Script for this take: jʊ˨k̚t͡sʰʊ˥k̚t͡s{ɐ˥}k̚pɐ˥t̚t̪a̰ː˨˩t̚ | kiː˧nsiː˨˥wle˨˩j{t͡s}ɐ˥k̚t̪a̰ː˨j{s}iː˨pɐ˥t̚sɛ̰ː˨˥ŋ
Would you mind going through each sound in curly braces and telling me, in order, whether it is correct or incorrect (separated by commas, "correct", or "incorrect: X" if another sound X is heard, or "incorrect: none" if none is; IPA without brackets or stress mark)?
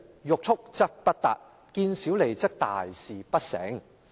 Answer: correct, correct, correct